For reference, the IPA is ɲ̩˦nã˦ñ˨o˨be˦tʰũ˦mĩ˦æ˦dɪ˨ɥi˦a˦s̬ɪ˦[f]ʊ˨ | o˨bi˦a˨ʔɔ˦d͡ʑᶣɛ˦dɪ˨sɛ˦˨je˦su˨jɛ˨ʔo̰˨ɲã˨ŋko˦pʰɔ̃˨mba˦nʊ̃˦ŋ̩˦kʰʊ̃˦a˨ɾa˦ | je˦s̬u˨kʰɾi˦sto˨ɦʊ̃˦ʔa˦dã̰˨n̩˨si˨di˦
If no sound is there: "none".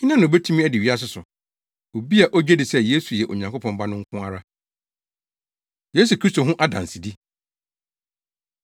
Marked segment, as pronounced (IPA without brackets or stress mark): s